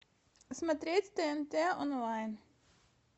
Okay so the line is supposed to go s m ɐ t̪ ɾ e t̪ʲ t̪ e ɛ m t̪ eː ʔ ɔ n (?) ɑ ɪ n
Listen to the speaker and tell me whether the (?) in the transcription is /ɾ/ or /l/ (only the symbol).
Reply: l